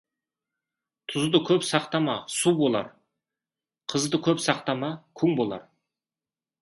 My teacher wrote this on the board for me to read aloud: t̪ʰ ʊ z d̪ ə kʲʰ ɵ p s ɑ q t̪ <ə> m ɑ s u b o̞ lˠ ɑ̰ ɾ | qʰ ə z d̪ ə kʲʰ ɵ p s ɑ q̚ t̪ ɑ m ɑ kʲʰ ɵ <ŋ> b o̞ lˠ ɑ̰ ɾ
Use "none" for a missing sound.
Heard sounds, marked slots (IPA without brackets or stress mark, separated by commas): ɑ, ŋ